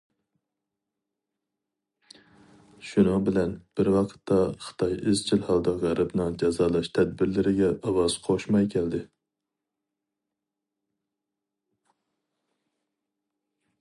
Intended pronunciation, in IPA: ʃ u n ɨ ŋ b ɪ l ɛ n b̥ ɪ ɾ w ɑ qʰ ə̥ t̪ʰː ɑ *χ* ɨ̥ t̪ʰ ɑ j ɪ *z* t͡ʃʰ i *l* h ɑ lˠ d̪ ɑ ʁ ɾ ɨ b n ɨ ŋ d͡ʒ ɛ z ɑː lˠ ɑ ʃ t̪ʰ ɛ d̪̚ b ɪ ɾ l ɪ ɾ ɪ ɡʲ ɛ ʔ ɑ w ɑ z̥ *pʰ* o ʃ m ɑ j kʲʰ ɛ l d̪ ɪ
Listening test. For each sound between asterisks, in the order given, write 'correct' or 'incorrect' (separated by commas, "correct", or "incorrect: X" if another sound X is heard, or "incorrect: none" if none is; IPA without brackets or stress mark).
correct, correct, correct, incorrect: qʰ